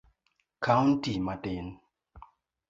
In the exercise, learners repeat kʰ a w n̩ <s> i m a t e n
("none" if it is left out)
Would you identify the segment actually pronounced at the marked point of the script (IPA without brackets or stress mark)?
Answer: t